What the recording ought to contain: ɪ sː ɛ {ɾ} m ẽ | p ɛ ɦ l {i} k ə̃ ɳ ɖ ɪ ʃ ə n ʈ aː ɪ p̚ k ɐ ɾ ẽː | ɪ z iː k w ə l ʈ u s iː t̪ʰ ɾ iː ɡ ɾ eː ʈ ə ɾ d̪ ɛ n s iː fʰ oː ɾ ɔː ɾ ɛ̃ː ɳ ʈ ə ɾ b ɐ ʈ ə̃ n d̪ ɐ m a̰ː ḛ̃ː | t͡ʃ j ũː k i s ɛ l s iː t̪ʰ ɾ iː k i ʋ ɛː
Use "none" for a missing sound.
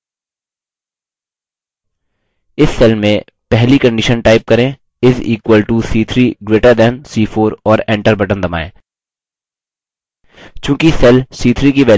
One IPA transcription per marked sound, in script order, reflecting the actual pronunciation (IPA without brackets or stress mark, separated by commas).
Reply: l, i